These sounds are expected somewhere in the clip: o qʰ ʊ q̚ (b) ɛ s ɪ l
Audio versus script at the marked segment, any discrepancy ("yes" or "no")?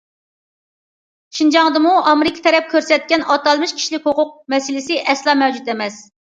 yes